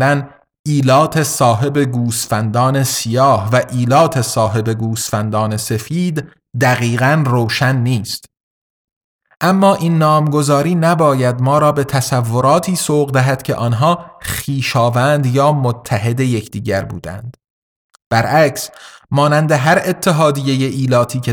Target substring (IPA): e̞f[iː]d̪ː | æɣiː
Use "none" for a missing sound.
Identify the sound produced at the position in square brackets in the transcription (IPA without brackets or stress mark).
iː